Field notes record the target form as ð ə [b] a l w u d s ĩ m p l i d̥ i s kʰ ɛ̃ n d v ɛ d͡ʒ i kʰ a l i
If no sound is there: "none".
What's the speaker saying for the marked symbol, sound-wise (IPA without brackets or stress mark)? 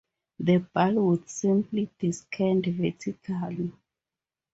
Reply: b